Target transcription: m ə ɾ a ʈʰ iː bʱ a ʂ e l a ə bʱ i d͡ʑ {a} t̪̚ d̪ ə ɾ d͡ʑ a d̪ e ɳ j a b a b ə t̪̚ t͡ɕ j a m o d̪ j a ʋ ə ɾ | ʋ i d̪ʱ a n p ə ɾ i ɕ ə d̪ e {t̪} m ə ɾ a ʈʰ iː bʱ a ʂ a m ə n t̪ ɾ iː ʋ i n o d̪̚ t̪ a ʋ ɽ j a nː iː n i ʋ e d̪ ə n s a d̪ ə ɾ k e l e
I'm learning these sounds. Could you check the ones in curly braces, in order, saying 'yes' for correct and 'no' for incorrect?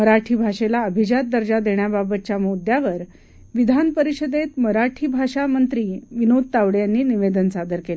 yes, yes

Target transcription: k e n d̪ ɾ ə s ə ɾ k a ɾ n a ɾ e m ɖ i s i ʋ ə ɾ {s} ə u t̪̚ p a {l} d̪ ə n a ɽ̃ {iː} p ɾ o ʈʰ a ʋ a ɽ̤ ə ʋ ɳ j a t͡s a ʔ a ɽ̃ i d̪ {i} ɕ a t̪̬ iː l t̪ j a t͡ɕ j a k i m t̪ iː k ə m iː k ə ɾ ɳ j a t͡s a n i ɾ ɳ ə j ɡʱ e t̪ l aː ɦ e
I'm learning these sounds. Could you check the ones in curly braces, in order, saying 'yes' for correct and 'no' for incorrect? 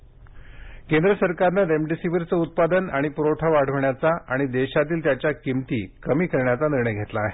no, no, no, no

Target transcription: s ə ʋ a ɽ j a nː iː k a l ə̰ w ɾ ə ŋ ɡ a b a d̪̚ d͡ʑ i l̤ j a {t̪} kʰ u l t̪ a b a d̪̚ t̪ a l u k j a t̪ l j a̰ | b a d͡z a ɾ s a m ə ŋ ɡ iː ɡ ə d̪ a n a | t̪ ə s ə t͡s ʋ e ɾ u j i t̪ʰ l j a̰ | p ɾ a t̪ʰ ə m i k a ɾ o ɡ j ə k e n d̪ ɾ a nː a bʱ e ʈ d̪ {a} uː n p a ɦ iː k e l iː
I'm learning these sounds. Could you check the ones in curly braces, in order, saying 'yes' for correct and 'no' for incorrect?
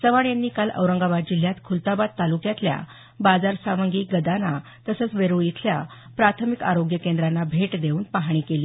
yes, no

